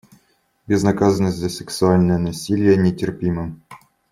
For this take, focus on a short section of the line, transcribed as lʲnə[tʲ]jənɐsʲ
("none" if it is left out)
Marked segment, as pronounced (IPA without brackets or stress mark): none